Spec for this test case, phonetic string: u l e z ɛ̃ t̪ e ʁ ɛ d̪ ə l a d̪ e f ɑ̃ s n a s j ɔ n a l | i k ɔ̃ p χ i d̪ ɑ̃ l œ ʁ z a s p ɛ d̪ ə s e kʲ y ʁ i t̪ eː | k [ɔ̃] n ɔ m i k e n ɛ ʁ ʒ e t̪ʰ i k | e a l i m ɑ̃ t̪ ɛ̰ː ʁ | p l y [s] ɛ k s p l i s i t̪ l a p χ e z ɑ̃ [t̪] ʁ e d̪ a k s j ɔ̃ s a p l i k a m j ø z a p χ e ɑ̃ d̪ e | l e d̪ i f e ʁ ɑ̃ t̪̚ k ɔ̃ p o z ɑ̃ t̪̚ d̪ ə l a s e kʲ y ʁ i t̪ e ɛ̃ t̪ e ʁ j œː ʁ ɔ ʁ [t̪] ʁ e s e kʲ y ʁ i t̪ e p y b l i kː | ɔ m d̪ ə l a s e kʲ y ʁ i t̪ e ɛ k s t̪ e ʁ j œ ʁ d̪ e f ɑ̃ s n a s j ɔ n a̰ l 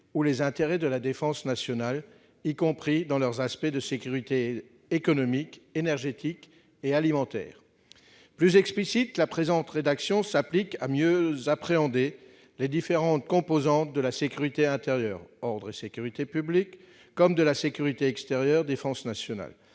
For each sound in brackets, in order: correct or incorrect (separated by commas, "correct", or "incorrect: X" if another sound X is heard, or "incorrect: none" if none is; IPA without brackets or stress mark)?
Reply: incorrect: ɔ, incorrect: z, correct, incorrect: d̪